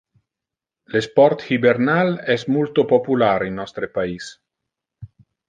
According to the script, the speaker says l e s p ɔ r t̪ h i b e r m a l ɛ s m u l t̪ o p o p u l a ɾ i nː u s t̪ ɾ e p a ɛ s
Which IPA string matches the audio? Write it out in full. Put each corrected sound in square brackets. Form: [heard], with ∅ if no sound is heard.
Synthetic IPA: l e s p ɔ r t̪ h i b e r [n] a l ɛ s m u l t̪ o p o p u l a ɾ i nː [ɔ] s t̪ ɾ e p a [i] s